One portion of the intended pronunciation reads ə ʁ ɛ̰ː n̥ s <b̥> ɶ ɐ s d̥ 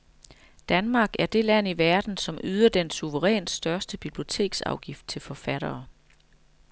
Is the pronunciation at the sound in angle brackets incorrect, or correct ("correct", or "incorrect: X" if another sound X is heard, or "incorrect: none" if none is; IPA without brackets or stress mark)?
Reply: incorrect: d̥